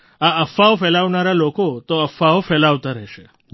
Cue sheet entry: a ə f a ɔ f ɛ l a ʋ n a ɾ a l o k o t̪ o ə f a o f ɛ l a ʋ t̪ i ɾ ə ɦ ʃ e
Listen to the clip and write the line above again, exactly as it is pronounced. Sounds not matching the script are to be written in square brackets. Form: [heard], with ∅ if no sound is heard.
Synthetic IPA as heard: a ə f a [o] f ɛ l a ʋ n a ɾ a l o k o t̪ o ə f a o f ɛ l a ʋ t̪ [a] ɾ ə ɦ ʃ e